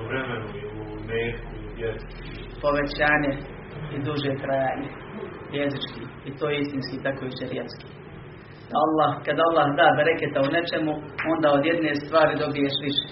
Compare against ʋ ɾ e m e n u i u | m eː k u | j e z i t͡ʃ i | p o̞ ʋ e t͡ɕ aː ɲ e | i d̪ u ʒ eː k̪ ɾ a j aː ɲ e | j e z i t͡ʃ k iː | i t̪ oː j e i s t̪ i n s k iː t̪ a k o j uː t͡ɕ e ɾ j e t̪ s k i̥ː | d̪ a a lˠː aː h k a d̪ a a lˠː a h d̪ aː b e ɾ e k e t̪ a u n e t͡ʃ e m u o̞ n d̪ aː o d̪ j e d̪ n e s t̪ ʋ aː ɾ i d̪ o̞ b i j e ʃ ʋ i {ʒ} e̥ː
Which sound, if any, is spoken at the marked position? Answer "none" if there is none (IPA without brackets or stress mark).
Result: ʃ